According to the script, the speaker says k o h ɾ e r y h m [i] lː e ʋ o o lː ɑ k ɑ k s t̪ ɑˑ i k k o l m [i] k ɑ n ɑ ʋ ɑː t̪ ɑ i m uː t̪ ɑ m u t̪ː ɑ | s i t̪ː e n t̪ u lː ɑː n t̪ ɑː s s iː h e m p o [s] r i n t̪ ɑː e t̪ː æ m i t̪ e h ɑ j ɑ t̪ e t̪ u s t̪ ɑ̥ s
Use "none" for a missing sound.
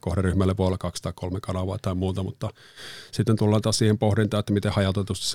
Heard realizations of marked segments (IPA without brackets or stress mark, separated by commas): æ, e, h